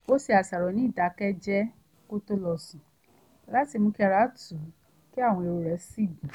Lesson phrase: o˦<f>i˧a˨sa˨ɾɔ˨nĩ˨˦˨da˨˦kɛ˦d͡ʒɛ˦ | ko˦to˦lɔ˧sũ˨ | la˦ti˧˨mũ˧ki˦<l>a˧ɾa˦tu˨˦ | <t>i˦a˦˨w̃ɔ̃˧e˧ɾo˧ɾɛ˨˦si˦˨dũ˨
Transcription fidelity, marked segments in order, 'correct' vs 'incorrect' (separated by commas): incorrect, incorrect, incorrect